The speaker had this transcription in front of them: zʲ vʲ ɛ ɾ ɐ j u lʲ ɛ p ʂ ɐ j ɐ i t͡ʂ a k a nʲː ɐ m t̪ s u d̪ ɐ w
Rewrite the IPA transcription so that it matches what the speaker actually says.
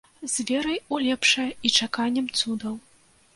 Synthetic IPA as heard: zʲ vʲ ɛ ɾ ɐ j u lʲ ɛ p ʂ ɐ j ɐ i t͡ʂ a k a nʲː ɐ m t̪ s u d̪ ɐ w